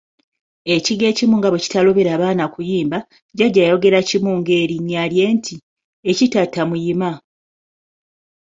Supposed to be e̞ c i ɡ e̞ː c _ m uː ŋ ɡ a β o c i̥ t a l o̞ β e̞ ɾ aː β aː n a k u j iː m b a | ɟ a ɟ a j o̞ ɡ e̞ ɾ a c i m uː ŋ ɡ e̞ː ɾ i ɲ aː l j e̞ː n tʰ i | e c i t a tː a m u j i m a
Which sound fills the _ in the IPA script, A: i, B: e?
A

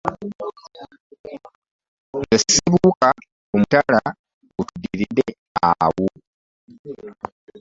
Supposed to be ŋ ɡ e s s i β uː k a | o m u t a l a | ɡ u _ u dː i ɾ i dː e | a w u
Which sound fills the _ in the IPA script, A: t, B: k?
A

